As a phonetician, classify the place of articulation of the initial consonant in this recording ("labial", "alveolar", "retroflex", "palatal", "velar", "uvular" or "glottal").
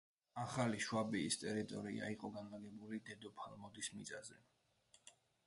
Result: uvular